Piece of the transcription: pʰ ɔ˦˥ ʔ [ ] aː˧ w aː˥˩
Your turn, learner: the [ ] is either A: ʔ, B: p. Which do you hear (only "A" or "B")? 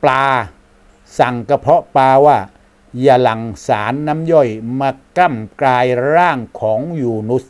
B